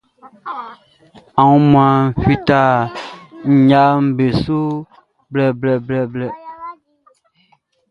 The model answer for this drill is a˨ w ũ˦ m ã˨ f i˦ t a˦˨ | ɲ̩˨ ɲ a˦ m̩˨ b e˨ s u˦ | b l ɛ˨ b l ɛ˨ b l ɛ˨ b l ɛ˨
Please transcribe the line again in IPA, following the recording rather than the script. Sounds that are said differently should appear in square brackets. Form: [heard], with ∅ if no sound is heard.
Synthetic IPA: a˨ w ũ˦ m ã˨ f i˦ t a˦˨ | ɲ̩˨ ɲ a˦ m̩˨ b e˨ s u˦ | b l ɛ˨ b l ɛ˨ b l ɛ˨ b l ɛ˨